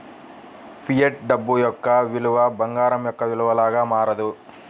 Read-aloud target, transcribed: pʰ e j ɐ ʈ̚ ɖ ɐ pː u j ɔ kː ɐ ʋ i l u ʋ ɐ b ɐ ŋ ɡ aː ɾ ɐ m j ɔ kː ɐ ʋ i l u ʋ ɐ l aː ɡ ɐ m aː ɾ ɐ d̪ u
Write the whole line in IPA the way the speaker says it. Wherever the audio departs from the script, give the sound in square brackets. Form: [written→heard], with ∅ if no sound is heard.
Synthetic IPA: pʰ [e→i] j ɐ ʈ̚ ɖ ɐ [pː→bː] u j ɔ kː ɐ ʋ i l u ʋ ɐ b ɐ ŋ ɡ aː ɾ ɐ m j ɔ kː ɐ ʋ i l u ʋ ɐ l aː ɡ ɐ m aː ɾ ɐ d̪ u